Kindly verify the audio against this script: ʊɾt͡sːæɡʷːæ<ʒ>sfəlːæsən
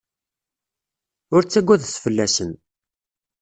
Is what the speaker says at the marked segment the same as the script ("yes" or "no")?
no